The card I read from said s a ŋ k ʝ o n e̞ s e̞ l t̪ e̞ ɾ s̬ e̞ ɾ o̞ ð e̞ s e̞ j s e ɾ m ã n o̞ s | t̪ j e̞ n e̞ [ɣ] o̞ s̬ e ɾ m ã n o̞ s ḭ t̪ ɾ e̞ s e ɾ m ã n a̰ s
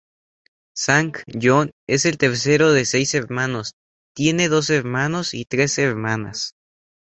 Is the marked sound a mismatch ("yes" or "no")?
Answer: yes